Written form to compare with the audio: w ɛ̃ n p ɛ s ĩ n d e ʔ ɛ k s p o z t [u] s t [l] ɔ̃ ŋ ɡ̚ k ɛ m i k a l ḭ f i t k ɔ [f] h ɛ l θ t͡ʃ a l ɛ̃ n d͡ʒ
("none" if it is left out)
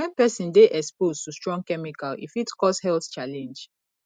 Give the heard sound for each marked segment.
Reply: u, ɹ, s

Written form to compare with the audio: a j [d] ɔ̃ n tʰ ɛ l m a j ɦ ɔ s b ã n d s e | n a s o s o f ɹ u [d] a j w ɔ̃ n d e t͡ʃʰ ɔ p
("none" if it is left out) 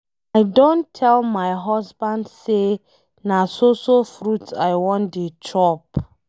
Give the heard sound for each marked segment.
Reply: d, t

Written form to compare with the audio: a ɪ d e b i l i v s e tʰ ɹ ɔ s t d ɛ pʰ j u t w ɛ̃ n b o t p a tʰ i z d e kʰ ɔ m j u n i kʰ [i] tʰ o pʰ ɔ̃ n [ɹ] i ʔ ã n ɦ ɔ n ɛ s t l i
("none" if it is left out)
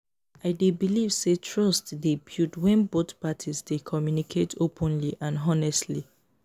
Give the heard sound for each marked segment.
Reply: e, l

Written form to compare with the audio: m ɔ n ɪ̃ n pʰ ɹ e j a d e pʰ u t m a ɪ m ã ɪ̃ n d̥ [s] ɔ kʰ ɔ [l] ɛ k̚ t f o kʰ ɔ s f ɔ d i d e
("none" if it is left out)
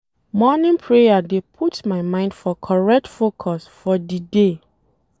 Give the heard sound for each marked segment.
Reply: f, ɹ

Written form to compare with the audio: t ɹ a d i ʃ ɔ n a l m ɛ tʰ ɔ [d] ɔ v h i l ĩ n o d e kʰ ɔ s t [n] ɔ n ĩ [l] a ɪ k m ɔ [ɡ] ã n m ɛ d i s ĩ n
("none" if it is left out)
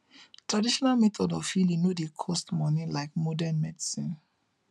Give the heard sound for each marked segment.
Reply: d, m, l, d

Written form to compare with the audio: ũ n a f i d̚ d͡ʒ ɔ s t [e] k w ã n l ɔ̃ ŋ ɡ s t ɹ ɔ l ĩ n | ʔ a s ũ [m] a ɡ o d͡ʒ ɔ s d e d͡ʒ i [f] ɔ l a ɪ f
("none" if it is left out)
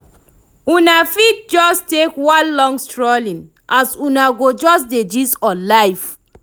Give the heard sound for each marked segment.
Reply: e, n, s

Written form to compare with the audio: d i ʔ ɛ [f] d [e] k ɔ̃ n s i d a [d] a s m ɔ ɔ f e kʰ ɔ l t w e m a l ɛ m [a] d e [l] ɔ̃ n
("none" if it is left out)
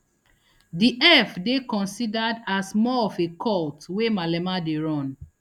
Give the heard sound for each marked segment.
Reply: f, e, d, a, ɹ

